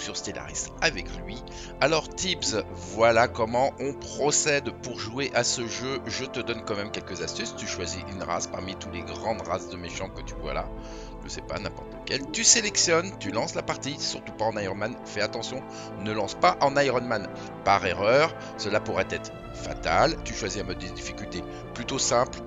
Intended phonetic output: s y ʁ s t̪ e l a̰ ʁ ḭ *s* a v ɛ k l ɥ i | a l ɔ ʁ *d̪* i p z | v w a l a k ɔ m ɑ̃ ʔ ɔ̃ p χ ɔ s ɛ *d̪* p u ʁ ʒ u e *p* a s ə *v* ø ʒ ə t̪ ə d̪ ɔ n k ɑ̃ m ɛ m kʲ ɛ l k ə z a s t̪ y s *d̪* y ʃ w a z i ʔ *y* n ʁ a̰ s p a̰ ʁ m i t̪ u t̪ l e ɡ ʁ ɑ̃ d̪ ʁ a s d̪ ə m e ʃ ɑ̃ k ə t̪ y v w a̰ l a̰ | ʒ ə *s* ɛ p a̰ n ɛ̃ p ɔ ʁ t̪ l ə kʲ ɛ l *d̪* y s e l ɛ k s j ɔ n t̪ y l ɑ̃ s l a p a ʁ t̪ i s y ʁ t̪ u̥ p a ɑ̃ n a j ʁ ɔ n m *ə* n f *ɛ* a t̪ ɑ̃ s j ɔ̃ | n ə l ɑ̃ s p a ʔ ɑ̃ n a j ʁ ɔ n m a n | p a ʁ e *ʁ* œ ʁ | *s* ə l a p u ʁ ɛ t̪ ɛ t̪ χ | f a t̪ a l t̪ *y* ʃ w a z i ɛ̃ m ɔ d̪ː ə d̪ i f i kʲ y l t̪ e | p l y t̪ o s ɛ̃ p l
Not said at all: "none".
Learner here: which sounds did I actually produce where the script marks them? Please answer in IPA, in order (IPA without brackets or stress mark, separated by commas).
s, t̪, d̪, ʔ, ʒ, t̪, y, s, t̪, a, ɛ, ʁ, s, y